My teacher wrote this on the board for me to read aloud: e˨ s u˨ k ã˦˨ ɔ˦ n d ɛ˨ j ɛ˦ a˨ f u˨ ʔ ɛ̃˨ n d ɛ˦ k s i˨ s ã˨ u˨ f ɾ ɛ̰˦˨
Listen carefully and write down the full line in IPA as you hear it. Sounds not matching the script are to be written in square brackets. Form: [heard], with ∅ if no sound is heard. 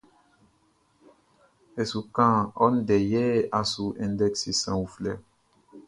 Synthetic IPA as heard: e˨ s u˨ k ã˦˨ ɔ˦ n d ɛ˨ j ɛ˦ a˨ [s] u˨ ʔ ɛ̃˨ n d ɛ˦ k s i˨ s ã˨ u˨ f [l] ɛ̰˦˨

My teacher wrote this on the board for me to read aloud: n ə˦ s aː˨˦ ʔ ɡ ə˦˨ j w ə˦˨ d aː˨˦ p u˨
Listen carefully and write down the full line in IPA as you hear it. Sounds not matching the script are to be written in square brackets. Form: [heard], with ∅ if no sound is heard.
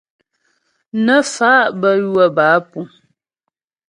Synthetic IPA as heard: n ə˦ [f] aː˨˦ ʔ [b] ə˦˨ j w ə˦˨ [b] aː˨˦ p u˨

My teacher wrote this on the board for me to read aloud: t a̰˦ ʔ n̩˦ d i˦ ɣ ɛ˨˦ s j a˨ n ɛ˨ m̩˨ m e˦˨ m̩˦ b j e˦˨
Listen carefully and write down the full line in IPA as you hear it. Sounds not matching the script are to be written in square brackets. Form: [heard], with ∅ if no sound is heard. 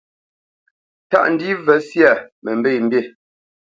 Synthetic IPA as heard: t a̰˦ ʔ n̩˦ d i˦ [v] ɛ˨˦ s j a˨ [m] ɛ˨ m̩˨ [b] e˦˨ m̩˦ b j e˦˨

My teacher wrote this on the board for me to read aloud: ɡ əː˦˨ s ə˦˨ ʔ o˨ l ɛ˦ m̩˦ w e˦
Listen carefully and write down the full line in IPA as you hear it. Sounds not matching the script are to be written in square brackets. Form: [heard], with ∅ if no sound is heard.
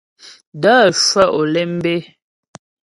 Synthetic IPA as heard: [d] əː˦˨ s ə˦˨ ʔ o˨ l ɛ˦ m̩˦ [b] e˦

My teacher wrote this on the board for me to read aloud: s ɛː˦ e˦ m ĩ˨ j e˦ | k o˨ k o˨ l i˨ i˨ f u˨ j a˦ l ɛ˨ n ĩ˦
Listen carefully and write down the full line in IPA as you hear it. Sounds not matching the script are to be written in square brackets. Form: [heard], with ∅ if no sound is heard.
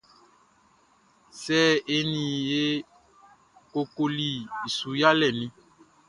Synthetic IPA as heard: s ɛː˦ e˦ [n] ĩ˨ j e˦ | k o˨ k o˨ l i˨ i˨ [s] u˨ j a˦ l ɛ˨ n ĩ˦

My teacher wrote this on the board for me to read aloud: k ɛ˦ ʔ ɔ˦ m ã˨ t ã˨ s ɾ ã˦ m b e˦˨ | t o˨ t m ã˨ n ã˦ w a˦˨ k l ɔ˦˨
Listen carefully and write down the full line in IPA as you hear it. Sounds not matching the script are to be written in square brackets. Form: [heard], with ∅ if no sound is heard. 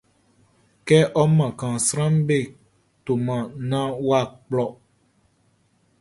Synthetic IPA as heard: k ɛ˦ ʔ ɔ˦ m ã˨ [k] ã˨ s ɾ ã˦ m b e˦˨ | t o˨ [∅] m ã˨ n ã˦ w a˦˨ [k͡p] l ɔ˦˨

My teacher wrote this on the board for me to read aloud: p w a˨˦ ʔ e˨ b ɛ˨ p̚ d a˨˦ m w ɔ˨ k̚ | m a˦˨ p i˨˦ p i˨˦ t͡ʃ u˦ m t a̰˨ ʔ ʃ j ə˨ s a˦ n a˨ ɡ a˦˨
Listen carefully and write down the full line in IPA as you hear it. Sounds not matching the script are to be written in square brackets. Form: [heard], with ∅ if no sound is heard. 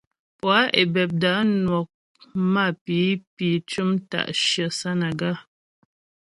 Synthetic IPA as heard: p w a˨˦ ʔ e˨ b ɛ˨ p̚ d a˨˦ [n] w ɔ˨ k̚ | m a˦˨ p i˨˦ p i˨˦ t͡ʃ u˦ m t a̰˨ ʔ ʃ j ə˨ s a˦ n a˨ ɡ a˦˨

